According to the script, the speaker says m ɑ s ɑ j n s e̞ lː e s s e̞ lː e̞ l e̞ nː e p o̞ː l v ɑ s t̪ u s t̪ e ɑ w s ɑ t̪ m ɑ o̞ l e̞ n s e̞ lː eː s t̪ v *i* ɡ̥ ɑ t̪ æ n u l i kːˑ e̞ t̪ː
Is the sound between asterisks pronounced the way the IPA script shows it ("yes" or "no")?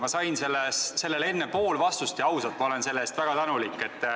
no